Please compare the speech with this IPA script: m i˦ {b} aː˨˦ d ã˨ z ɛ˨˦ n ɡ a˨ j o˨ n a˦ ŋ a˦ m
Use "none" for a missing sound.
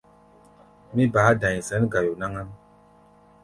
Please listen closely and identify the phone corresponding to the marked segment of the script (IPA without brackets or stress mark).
b